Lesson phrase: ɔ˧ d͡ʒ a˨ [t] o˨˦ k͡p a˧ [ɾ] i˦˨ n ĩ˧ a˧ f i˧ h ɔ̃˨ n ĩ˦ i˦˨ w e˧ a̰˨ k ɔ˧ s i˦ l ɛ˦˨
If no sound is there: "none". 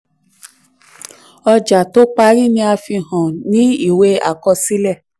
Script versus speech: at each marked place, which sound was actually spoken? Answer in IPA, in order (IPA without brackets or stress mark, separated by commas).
t, ɾ